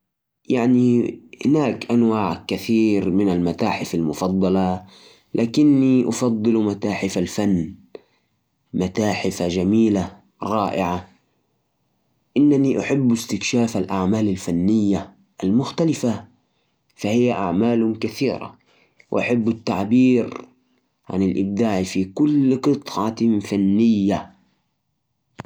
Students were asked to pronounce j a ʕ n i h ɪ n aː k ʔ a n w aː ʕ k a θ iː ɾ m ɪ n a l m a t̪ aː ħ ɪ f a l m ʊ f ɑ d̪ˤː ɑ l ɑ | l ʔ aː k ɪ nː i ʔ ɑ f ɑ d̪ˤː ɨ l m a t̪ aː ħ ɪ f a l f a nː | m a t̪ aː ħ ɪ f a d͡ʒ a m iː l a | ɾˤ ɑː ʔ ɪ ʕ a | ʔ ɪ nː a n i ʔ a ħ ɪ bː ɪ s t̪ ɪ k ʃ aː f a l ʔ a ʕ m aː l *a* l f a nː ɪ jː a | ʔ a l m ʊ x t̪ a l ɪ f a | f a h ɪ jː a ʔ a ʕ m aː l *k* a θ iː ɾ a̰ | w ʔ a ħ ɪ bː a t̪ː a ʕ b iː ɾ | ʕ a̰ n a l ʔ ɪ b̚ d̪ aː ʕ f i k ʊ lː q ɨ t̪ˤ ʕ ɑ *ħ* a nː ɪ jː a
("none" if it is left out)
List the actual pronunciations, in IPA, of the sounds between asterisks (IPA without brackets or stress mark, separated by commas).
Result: a, k, f